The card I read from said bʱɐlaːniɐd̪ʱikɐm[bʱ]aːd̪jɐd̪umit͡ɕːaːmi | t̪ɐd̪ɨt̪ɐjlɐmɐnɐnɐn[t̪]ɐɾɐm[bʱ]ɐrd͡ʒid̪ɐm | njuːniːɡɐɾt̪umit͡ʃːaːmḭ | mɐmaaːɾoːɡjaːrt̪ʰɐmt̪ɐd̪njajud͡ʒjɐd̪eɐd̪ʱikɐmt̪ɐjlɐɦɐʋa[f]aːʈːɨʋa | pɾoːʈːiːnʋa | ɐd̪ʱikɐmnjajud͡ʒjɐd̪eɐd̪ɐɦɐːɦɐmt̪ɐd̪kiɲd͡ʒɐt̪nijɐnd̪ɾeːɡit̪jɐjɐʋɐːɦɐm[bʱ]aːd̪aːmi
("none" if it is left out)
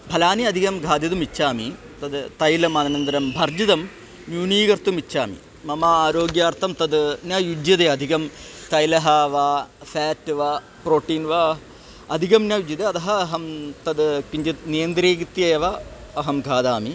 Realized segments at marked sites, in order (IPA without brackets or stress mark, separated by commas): ɡʱ, d̪, bʱ, f, ɡʱ